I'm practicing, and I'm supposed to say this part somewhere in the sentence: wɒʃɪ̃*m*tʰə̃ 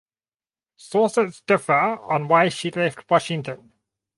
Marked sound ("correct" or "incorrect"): incorrect